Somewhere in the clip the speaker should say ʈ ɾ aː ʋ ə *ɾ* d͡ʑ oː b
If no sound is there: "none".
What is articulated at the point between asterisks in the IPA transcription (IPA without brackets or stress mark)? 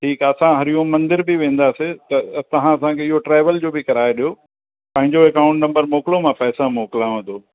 l